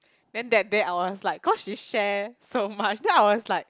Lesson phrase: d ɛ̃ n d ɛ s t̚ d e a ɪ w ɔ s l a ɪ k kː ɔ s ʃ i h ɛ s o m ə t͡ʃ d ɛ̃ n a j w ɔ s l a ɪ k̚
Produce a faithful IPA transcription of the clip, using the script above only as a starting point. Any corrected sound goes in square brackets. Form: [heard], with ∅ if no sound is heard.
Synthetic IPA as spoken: d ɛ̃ n d ɛ [∅] t̚ d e a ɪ w ɔ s l a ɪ k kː ɔ s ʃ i [ʃ] ɛ s o m [a] t͡ʃ d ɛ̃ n a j w ɔ s l a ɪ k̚